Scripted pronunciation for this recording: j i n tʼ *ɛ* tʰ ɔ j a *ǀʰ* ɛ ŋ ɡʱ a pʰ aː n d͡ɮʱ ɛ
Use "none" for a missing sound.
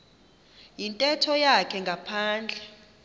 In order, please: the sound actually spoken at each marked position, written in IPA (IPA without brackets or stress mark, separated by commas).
ɛ, kʰ